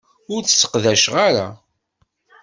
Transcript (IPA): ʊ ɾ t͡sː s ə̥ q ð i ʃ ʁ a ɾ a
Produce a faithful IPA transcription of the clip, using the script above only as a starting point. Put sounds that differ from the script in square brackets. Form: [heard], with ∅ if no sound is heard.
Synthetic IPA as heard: ʊ ɾ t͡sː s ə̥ q ð [æ] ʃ ʁ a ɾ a